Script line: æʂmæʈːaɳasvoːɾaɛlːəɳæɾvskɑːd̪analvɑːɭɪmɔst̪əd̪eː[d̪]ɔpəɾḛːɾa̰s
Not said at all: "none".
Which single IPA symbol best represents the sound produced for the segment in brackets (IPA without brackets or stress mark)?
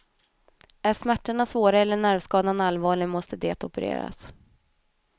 t̪